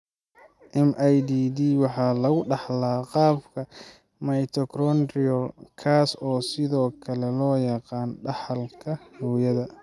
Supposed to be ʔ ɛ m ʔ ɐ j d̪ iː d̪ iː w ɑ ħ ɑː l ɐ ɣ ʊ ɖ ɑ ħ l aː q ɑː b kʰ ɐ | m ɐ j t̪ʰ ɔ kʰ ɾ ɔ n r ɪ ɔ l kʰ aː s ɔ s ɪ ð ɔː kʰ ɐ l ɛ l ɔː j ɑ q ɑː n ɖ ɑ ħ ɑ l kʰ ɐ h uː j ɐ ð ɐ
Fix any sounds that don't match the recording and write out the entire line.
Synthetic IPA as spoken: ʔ ɛ m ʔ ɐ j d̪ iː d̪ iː w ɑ ħ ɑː l ɐ ɣ ʊ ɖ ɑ ħ l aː q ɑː b kʰ ɐ | m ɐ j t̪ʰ ɔ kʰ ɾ ɔ n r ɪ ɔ l kʰ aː s ɔː s ɪ ð ɔː kʰ ɐ l ɛ l ɔː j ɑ q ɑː n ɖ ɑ ħ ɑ l kʰ ɐ h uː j ɐ ð ɐ

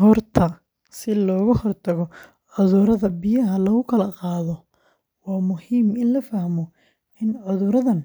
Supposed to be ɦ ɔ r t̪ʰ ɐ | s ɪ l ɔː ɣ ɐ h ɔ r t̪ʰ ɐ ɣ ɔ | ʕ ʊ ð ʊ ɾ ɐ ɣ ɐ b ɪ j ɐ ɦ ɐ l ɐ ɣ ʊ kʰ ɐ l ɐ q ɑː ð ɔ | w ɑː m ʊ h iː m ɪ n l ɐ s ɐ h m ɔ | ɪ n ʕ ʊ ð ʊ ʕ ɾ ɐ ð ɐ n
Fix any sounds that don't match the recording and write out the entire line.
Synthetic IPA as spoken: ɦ ɔ r t̪ʰ ɐ | s ɪ l ɔː ɣ ɐ h ɔ r t̪ʰ ɐ ɣ ɔ | ʕ ʊ ð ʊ ɾ ɐ ð ɐ b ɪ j ɐ ɦ ɐ l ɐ ɣ ʊ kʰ ɐ l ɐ q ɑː ð ɔ | w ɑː m ʊ h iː m ɪ n l ɐ f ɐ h m ɔ | ɪ n ʕ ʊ ð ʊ ɾ ɐ ð ɐ n

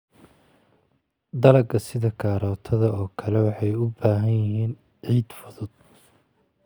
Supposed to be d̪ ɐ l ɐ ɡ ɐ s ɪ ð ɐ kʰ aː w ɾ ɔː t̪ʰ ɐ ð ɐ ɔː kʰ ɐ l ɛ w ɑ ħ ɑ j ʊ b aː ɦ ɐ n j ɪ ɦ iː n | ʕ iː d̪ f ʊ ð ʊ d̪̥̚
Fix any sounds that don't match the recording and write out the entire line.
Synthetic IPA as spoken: d̪ ɐ l ɐ ɡ ɐ s ɪ ð ɐ kʰ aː ɾ ɔː t̪ʰ ɐ ð ɐ ɔː kʰ ɐ l ɛ w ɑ ħ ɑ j ʊ b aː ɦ ɐ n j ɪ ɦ iː n | ʕ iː d̪ f ʊ ð ʊ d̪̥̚

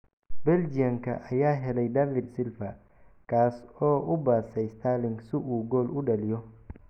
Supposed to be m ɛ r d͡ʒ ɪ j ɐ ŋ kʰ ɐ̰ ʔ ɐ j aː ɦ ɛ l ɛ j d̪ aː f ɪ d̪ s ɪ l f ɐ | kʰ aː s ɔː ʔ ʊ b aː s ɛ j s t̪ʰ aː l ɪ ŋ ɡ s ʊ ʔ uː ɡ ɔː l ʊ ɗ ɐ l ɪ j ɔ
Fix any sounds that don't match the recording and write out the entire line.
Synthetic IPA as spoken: b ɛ l d͡ʒ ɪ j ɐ ŋ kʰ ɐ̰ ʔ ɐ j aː ɦ ɛ l ɛ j d̪ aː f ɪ d̪ s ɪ l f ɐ | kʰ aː s ɔː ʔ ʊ b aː s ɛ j s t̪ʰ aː l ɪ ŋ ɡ s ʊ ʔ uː ɡ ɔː l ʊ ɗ ɐ l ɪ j ɔ

